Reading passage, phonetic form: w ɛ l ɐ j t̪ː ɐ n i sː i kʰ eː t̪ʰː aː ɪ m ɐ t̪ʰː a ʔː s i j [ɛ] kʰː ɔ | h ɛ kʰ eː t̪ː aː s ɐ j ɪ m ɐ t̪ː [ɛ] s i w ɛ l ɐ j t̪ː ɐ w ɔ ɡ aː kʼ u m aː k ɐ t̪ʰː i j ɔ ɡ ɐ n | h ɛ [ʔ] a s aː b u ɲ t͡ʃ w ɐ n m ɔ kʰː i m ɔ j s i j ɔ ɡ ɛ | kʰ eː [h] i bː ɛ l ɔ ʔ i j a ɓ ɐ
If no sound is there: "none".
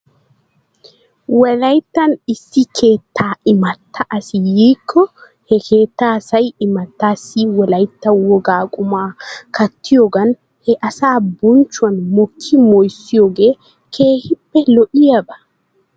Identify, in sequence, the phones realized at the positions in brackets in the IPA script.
i, a, ʔ, h

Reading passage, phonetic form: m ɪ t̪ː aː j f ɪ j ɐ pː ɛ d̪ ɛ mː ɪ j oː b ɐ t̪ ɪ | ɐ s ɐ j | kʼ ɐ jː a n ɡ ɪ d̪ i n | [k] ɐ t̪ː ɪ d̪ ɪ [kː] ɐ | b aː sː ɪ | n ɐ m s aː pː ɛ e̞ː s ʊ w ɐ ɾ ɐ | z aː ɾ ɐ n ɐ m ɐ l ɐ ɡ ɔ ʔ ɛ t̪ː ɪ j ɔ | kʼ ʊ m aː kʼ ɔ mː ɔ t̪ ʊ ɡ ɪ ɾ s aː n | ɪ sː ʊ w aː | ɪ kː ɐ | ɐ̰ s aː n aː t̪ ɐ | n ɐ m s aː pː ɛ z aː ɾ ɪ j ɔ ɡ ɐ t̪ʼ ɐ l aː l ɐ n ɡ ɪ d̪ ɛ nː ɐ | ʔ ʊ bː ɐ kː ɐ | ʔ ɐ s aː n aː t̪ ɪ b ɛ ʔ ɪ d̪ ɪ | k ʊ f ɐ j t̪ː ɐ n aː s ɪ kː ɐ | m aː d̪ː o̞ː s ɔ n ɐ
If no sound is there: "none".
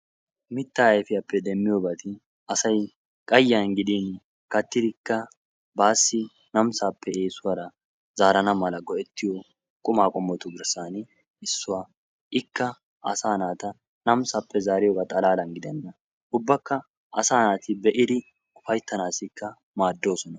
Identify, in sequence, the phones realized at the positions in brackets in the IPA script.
k, kː

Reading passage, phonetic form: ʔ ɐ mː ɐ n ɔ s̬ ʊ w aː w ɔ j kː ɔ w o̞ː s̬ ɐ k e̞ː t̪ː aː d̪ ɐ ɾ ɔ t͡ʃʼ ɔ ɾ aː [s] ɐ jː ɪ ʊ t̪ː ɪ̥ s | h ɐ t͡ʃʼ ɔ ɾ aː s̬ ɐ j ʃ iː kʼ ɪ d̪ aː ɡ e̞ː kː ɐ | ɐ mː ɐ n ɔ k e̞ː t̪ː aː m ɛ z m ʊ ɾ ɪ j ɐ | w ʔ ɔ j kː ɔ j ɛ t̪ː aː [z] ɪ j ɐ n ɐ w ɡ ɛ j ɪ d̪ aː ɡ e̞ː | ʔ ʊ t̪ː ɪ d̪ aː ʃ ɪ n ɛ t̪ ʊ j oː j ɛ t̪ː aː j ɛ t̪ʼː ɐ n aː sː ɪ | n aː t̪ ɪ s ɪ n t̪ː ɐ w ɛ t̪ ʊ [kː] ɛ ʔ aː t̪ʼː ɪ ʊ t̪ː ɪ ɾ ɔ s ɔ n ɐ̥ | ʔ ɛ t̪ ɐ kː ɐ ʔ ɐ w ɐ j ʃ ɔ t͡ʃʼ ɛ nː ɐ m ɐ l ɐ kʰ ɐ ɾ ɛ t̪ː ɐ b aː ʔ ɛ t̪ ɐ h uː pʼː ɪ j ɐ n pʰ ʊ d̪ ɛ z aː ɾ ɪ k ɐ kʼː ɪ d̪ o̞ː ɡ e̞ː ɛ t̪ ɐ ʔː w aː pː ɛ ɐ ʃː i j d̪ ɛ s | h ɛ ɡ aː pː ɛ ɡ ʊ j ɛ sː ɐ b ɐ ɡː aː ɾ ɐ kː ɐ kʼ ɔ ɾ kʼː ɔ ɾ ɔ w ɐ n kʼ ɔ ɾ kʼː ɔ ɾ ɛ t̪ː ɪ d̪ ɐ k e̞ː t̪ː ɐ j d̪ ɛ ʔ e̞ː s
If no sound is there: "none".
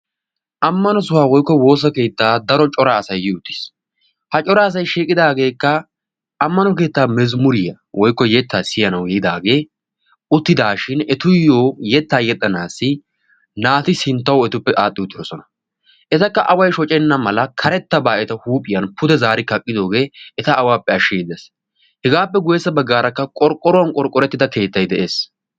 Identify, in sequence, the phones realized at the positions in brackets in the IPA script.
s, s, pː

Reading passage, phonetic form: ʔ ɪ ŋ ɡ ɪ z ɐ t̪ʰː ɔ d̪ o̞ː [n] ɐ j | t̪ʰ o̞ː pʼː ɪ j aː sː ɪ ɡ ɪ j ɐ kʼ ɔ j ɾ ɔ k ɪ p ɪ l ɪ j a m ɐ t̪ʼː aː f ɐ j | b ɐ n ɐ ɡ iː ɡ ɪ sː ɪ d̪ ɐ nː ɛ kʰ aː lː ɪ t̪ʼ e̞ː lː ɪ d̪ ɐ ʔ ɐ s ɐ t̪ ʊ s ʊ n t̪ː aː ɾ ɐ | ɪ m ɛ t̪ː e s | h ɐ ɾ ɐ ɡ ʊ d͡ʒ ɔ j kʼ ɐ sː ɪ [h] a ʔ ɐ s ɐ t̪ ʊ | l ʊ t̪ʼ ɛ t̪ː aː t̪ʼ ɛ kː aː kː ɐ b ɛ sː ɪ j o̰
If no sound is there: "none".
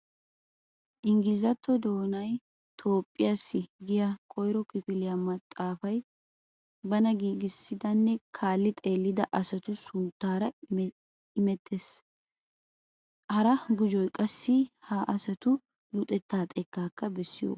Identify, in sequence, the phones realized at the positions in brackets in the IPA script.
n, h

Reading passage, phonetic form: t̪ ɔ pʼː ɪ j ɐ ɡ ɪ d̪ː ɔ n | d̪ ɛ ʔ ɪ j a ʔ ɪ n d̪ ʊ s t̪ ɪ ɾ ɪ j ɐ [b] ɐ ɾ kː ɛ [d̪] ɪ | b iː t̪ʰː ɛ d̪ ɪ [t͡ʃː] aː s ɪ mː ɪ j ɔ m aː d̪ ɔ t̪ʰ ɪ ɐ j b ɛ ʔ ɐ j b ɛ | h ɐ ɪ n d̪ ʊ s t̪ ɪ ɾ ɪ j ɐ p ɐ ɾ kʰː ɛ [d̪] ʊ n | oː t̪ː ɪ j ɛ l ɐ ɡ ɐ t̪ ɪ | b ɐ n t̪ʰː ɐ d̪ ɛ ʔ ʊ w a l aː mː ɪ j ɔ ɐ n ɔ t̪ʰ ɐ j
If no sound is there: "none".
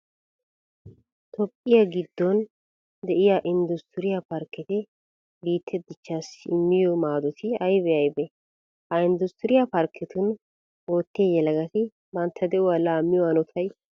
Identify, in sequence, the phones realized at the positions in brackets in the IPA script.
p, t̪, t͡ʃː, t̪

